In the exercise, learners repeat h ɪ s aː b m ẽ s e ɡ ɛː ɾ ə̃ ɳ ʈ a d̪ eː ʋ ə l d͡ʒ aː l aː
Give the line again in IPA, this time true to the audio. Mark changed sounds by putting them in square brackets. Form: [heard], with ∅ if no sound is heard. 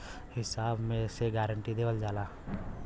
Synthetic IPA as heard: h ɪ s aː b m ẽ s e ɡ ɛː ɾ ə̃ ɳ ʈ [i] d̪ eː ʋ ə l d͡ʒ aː l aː